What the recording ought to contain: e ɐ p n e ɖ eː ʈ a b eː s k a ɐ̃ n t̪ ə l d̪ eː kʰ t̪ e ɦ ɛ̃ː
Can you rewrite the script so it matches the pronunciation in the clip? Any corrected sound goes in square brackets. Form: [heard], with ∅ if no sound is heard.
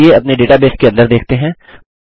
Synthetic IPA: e ɐ p n e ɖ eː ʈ a b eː s k [e] ɐ̃ n [d̪] ə [ɾ] d̪ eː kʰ t̪ e ɦ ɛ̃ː